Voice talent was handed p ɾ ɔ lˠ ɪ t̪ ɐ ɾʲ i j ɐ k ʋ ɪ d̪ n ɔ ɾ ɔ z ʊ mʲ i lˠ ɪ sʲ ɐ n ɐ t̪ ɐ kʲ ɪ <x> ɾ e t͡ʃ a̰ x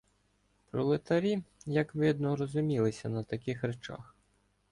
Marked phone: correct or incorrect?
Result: correct